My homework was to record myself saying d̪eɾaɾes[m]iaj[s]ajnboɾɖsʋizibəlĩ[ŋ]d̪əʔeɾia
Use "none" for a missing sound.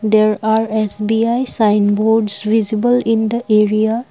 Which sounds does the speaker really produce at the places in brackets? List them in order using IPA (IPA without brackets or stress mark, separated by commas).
b, s, n